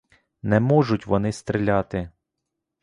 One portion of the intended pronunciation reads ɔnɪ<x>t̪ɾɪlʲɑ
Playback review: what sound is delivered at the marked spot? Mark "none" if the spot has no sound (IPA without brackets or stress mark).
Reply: s